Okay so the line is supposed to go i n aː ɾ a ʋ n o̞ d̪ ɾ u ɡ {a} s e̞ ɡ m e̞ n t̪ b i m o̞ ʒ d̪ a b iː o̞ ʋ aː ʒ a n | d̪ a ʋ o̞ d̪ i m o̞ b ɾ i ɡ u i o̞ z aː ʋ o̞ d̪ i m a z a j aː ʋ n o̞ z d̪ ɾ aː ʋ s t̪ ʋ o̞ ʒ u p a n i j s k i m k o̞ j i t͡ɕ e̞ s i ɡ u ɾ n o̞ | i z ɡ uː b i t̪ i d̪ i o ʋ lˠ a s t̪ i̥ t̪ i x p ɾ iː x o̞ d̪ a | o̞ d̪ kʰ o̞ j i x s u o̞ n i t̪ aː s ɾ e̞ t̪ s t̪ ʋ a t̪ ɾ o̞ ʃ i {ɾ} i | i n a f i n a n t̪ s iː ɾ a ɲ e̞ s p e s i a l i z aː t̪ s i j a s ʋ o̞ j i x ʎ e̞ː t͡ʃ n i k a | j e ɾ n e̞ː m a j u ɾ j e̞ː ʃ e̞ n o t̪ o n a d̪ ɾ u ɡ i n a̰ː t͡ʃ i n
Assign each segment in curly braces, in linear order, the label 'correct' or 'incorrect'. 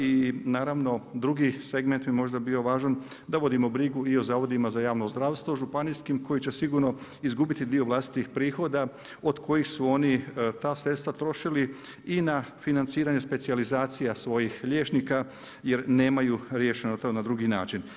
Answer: incorrect: i, incorrect: l

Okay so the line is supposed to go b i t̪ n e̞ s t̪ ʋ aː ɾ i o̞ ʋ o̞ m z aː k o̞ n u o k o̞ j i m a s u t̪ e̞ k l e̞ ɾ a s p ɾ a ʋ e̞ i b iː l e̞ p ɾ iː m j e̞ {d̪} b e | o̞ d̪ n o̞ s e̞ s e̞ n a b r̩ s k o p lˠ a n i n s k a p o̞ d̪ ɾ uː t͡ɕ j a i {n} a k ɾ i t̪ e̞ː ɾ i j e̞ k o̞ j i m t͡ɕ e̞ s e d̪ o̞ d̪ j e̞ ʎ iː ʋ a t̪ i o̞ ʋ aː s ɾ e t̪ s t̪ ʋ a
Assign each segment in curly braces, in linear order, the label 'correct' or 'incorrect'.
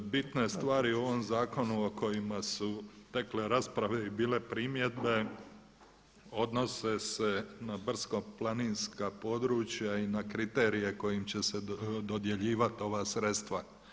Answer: correct, correct

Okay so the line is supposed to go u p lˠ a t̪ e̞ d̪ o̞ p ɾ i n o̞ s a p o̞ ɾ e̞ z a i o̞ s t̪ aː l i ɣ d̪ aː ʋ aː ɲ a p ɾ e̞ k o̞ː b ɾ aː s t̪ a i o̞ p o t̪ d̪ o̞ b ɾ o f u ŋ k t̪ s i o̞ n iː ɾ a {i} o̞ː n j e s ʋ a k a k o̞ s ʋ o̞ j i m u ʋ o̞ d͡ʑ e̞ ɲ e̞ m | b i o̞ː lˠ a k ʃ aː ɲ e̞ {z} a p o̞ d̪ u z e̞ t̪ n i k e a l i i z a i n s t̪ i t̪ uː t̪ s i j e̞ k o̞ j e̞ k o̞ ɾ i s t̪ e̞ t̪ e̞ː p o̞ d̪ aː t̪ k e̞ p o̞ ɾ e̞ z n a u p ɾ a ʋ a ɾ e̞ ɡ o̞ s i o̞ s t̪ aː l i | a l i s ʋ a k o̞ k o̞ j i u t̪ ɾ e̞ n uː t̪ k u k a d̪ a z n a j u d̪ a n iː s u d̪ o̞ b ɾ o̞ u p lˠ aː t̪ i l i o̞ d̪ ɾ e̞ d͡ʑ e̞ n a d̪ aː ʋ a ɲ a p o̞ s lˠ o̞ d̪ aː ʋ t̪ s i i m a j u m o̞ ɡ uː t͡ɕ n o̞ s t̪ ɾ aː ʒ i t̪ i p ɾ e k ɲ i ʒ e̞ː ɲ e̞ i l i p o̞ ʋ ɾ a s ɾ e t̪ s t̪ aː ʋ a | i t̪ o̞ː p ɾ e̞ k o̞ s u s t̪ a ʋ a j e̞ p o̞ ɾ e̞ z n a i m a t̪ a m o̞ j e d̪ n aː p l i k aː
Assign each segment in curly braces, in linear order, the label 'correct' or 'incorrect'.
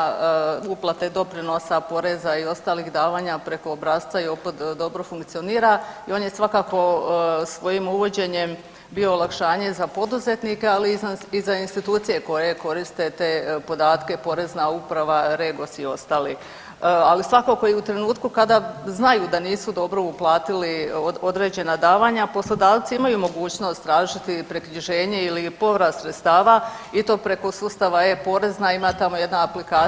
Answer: correct, correct

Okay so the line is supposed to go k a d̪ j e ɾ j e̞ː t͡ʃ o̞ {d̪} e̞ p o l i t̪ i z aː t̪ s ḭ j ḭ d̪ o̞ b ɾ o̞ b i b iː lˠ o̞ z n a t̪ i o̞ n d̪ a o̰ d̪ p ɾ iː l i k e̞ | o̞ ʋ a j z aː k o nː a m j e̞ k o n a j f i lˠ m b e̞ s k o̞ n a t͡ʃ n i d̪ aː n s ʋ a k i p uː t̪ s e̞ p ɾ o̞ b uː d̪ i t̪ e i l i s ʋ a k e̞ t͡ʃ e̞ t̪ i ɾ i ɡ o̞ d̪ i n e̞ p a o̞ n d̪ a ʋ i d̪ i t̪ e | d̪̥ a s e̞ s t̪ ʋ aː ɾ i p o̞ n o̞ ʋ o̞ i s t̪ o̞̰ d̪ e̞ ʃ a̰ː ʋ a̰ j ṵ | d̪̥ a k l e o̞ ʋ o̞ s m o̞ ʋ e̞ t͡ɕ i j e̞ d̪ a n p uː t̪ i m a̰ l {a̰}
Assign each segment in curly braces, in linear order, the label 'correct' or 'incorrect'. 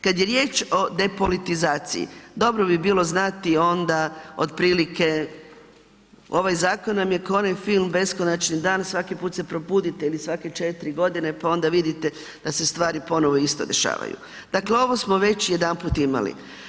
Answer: correct, incorrect: ḭ

